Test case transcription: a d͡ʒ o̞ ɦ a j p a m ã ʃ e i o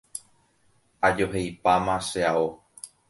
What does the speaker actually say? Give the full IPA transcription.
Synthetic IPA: a d͡ʒ o̞ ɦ e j p a m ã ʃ e a o